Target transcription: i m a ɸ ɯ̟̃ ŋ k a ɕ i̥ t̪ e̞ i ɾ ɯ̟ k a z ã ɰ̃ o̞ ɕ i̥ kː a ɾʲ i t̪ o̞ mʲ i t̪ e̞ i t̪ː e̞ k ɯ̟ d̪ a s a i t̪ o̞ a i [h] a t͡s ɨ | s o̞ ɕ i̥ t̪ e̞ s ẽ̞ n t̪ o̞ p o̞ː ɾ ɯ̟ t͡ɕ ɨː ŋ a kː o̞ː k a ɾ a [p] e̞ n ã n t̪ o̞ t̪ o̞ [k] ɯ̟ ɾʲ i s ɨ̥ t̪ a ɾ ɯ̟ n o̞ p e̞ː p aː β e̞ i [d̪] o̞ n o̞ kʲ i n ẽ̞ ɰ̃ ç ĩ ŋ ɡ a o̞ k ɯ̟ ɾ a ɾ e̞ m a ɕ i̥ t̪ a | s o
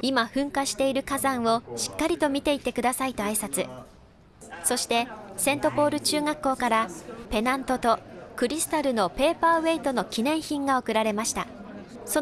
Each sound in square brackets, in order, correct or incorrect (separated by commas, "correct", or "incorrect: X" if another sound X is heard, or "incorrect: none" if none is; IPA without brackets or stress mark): incorrect: s, correct, correct, incorrect: t̪